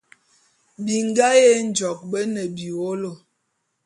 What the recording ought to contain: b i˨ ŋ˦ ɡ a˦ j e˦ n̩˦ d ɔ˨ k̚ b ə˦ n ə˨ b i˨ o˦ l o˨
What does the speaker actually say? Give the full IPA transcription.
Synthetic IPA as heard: b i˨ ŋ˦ ɡ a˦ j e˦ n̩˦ d͡ʒ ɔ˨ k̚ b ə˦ n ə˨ b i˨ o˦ l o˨